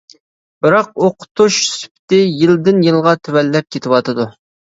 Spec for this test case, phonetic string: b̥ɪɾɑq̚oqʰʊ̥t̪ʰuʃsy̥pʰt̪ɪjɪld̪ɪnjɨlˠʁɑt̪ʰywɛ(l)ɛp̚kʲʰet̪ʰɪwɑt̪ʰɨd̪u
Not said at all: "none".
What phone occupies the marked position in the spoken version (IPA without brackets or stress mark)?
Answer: lː